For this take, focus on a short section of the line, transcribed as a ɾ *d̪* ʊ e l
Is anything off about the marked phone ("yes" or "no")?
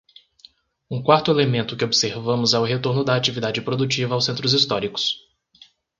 yes